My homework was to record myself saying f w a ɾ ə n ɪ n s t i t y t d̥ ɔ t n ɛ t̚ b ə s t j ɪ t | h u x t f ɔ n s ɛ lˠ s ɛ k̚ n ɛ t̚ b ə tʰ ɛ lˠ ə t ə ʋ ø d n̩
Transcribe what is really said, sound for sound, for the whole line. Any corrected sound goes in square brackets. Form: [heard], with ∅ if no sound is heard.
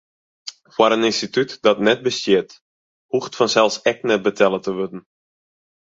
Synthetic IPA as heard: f w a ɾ ə n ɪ n s t i t y t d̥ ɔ t n ɛ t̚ b ə s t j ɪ t | h u x t f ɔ n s ɛ lˠ s ɛ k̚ n ɛ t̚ b ə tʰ ɛ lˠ ə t ə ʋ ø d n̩